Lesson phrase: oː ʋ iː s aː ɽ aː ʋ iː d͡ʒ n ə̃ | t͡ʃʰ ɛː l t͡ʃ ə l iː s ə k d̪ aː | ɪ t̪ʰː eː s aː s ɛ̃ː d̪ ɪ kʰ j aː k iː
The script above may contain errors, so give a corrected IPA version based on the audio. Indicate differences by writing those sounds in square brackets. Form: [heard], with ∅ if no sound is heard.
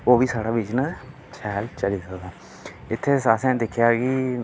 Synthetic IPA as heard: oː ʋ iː s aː ɽ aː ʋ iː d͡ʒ n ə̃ | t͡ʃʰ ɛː l t͡ʃ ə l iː s ə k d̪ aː | ɪ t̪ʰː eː s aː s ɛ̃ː d̪ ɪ kʰ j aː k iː